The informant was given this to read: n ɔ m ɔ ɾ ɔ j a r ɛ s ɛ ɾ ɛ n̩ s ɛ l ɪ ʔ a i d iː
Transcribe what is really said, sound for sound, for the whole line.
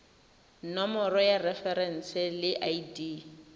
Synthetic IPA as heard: n ɔ m ɔ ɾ ɔ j a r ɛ f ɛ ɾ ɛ n̩ s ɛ l ɪ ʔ a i d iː